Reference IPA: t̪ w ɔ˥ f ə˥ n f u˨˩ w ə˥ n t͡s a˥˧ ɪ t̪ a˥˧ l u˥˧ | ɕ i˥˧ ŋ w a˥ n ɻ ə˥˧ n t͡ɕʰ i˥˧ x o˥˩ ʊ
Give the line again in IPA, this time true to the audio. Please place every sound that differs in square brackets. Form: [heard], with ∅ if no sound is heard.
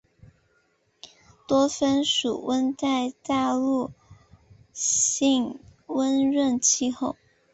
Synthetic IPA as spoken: t̪ w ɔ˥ f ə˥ n [ʂ] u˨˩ w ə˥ n t͡s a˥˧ ɪ t̪ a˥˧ l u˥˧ | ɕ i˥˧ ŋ w [ə˥] n ɻ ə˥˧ n t͡ɕʰ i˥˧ x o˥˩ ʊ